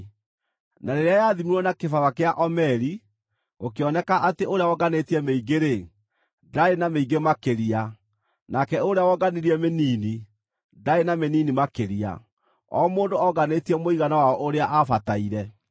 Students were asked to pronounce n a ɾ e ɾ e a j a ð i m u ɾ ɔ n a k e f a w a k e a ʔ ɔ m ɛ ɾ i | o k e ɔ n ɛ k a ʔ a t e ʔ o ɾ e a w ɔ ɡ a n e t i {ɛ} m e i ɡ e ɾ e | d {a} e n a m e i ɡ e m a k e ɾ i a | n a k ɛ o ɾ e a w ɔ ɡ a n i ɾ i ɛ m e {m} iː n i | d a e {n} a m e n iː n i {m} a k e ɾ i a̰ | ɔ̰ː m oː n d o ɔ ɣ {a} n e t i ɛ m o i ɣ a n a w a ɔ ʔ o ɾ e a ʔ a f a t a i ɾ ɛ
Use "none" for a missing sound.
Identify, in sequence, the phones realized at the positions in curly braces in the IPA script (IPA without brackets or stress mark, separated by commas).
ɛ, a, n, n, m, a